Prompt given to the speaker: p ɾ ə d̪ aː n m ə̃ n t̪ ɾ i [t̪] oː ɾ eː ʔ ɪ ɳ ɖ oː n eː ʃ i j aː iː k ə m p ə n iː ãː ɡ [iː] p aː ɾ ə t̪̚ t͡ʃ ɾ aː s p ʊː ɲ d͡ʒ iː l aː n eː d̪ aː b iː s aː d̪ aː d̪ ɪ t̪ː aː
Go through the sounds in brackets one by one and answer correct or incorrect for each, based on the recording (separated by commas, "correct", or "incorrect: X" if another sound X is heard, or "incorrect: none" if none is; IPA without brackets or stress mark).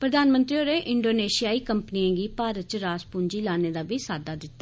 incorrect: none, correct